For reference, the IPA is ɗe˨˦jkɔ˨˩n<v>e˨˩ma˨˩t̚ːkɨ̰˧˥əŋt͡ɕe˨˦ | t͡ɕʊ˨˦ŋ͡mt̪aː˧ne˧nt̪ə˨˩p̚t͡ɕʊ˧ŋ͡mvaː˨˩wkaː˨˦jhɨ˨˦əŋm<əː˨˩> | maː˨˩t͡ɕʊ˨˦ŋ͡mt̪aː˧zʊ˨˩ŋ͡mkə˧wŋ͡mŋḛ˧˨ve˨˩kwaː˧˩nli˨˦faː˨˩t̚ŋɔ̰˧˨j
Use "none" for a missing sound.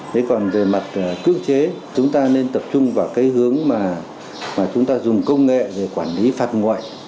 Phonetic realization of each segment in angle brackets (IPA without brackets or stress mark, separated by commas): v, aː˨˩